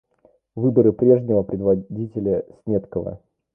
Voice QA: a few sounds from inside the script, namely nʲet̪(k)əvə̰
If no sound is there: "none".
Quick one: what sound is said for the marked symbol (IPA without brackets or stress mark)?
k